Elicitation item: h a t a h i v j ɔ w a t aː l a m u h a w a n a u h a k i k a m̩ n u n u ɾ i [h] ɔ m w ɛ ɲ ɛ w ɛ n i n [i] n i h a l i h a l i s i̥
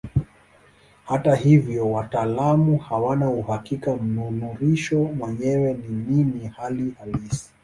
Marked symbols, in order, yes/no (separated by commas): no, yes